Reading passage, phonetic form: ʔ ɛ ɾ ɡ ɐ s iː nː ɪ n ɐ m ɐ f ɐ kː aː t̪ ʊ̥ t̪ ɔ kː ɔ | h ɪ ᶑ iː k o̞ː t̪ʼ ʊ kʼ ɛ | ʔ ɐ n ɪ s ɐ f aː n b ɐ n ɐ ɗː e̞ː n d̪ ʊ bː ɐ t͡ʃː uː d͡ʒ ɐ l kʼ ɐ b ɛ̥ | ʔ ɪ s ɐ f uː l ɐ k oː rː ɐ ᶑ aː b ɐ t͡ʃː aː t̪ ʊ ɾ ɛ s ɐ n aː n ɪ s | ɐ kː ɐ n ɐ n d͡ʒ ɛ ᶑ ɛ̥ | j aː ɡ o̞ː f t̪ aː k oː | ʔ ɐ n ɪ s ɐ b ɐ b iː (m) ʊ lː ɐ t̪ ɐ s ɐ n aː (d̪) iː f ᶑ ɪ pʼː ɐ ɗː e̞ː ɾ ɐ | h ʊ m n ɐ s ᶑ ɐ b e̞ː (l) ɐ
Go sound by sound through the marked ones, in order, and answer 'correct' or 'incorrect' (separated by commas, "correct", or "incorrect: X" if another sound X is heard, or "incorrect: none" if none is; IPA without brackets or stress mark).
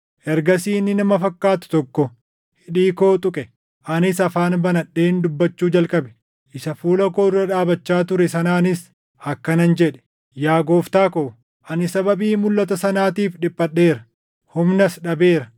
correct, incorrect: t̪, incorrect: ɾ